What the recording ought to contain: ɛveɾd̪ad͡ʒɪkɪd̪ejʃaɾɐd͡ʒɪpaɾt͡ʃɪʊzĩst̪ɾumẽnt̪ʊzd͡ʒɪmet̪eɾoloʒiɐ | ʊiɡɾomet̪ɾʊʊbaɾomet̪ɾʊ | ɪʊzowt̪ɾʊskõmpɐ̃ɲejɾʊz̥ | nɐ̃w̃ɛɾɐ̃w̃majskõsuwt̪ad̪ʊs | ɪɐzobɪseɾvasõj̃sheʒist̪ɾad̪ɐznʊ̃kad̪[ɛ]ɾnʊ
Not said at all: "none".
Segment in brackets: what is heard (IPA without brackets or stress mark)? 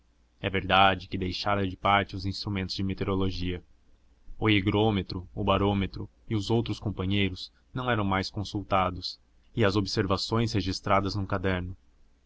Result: ɛ